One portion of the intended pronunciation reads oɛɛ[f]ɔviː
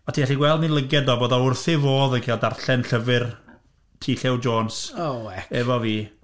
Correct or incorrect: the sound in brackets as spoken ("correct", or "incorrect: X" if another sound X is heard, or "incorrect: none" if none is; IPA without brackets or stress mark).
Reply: incorrect: v